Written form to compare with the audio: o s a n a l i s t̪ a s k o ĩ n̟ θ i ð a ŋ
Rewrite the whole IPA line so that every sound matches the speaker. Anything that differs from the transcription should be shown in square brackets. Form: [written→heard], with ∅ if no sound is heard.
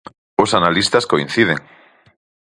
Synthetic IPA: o s a n a l i s t̪ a s k o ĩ n̟ θ i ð [a→e] ŋ